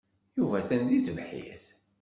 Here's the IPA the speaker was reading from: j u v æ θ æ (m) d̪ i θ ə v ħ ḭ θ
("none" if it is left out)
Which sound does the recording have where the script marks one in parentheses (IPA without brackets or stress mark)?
n